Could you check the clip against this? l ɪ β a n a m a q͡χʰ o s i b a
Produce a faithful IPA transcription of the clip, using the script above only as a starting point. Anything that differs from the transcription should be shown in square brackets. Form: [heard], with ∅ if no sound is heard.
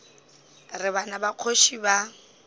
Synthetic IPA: [r] ɪ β a n a [b] a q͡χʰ o [ʃ] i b a